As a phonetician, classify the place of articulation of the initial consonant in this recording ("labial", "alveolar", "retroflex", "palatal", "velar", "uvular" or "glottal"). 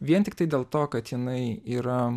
labial